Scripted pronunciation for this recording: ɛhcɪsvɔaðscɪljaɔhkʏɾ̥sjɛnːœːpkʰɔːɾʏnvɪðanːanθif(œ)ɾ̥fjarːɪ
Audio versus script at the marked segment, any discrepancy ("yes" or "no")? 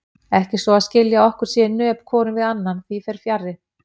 yes